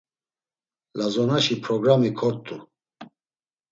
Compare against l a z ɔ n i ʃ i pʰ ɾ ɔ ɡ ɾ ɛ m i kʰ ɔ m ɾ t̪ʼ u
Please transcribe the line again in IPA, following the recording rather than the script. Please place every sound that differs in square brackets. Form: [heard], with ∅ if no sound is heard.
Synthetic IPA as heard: l a z ɔ n [a] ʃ i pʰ ɾ ɔ ɡ ɾ [a] m i kʰ ɔ [∅] ɾ t̪ʼ u